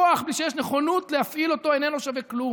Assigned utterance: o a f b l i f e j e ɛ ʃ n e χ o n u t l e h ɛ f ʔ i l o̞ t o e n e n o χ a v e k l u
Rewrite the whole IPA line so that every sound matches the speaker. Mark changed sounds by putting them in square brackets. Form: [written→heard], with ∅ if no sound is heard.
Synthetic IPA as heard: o a [f→χ] b l i [f→ʃ] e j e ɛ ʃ n e χ o n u t l e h [ɛ→a] f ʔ i l o̞ t o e n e n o [χ→ʃ] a v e k l u